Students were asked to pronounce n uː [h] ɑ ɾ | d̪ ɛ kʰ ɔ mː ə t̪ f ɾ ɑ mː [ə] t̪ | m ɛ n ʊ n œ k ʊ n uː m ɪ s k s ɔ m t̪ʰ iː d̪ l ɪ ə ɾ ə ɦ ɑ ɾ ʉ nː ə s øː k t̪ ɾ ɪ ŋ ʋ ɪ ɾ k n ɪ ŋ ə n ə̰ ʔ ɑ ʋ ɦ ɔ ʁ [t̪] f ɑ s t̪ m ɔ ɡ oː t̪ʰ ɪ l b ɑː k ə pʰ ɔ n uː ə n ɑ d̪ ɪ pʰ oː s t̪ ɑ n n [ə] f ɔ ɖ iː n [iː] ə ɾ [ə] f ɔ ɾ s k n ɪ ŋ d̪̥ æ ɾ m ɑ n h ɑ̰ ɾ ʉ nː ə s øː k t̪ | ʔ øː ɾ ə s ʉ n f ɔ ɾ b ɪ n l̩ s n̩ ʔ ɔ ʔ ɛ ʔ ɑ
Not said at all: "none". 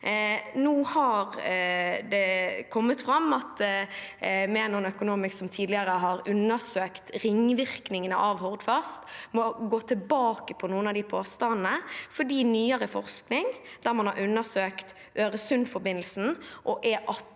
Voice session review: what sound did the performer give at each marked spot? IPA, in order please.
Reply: h, ɑ, d̪, ə, yː, ə

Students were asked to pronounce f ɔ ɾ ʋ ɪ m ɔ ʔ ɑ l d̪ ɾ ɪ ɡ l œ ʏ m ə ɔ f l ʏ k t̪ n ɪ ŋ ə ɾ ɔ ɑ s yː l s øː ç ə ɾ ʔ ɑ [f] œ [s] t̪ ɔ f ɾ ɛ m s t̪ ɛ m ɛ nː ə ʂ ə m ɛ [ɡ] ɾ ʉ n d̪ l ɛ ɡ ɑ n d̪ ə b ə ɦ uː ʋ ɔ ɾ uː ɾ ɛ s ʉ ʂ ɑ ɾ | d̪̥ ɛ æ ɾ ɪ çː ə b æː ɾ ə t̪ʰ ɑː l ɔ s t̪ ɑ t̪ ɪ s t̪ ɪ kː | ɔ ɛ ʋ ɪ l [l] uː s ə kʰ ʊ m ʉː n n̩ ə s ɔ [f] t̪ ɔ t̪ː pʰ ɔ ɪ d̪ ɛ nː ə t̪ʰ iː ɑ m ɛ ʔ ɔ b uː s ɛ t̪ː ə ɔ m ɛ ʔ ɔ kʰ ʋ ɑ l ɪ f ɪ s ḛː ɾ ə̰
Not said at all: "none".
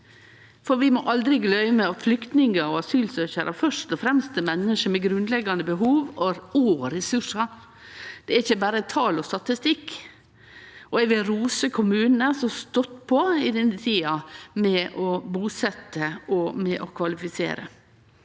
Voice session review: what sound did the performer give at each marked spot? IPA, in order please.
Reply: f, ʂ, ɡ, ɾ, s

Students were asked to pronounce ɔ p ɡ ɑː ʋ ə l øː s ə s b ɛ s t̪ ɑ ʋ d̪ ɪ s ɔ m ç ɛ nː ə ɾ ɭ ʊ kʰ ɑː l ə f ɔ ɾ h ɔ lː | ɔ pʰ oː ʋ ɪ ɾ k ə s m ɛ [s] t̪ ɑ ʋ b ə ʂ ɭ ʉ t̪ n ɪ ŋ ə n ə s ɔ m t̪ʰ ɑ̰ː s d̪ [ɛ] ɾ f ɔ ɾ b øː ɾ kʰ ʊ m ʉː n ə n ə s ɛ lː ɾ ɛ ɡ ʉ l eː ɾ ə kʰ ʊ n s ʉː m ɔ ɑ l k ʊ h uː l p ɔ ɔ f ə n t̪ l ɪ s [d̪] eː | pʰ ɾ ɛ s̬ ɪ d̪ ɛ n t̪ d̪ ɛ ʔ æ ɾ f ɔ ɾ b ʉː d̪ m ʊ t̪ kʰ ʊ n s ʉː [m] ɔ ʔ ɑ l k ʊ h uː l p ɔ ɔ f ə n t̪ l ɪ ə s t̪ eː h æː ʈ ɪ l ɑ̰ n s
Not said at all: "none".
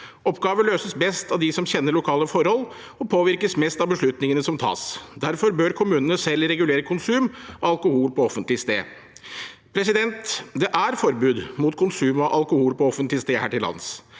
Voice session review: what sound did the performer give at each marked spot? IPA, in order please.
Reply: s, æ, t̪, m

